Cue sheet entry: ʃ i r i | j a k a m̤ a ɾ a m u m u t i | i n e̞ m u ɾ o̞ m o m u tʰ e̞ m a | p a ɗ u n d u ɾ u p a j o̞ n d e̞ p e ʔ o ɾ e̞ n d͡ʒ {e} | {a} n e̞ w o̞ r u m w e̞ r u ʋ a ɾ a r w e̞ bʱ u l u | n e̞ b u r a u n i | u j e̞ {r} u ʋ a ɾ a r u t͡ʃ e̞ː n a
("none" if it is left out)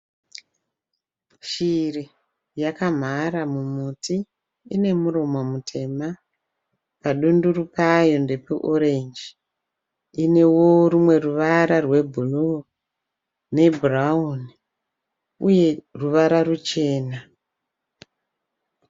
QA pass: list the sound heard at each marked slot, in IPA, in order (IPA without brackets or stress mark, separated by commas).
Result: i, i, r